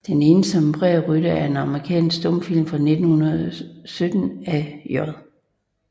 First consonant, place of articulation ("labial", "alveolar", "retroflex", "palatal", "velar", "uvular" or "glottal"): alveolar